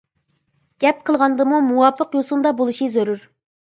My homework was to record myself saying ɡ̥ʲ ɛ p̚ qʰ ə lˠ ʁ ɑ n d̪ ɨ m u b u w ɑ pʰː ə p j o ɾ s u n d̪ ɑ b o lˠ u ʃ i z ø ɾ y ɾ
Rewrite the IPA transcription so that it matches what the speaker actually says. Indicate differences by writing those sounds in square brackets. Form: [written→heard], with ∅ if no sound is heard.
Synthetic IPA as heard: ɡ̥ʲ ɛ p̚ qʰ ə lˠ ʁ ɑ n d̪ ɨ m u [b→m] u w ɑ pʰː ə [p→q] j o [ɾ→∅] s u n d̪ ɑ b o lˠ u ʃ i z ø ɾ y ɾ